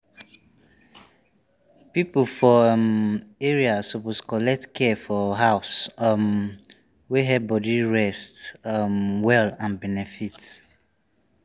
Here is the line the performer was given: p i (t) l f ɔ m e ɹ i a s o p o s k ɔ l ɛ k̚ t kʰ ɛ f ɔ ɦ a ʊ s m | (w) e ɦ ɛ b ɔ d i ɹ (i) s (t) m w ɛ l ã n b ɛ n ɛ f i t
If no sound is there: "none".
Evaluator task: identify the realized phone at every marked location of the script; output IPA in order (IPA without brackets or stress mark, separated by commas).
p, w, ɛ, t